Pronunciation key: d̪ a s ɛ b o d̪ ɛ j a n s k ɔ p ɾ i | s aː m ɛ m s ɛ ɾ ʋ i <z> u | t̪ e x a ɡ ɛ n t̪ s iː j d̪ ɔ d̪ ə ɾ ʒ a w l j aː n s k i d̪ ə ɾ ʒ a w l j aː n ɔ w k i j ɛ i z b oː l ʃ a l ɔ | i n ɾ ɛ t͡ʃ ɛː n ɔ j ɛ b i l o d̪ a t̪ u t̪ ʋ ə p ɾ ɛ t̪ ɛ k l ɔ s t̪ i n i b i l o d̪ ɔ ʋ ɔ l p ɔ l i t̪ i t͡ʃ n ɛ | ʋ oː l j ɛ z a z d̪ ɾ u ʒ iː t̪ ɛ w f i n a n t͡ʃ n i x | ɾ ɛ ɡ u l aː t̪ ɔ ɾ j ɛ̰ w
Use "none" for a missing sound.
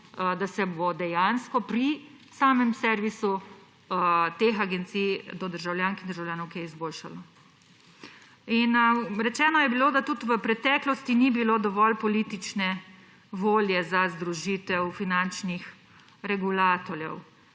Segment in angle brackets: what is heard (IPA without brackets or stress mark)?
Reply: s